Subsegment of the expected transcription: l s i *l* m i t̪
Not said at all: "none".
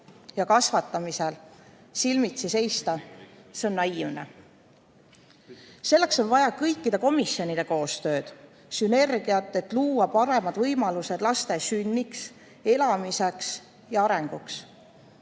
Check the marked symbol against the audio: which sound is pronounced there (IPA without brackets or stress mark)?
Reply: l